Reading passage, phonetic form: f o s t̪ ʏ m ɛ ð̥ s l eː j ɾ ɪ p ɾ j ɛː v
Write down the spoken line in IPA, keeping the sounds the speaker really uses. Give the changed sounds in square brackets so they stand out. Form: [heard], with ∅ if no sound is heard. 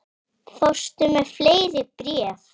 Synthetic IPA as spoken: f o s t̪ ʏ m ɛ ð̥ [f] l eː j ɾ ɪ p ɾ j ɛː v